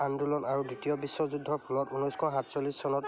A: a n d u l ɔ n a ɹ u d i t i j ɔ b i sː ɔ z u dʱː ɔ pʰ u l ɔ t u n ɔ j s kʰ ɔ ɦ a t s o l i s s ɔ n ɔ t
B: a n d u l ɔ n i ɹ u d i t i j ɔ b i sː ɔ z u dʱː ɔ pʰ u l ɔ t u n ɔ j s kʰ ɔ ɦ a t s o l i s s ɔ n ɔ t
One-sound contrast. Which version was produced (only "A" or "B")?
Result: A